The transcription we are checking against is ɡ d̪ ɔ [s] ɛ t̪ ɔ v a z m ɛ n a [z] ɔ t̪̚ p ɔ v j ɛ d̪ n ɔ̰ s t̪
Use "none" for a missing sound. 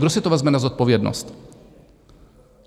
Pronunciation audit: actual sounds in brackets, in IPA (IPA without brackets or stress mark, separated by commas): s, z